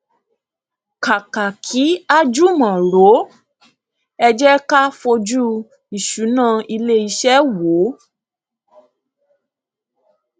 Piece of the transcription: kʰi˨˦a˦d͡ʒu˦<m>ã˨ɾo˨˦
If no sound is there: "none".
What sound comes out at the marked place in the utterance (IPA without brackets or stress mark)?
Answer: m